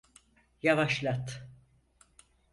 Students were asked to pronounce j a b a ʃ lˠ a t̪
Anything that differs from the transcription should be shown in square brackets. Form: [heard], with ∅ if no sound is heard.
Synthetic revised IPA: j a [v] a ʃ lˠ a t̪